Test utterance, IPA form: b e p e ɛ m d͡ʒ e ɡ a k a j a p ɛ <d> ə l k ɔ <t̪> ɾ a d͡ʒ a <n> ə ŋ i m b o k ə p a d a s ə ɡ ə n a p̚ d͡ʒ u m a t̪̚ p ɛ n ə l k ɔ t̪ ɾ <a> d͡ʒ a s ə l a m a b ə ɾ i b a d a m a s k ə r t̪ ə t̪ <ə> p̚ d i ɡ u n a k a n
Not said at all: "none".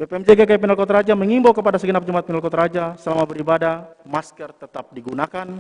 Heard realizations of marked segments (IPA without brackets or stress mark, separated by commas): n, t̪, m, a, a